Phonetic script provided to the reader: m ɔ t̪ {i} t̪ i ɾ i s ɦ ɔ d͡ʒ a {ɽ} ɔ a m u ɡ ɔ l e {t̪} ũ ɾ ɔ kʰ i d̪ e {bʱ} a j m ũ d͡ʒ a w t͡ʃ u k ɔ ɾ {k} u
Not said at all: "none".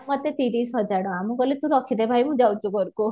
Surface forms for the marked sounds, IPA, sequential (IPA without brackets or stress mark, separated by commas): e, ɽ, t̪, bʱ, k